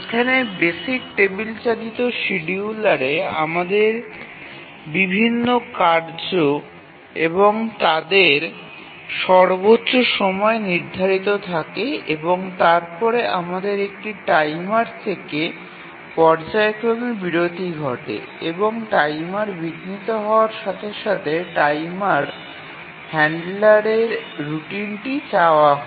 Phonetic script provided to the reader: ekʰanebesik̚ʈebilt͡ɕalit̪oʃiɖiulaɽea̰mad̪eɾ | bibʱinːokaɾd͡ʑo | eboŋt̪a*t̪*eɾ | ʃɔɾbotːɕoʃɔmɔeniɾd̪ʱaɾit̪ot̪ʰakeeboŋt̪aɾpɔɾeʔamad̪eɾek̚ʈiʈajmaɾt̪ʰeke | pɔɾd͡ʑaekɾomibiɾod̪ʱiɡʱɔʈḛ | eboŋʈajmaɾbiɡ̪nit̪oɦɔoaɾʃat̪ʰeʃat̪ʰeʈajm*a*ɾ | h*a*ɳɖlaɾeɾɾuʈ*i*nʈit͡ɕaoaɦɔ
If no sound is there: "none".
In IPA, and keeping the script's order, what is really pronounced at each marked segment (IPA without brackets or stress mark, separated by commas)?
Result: d̪, a, ɛ, i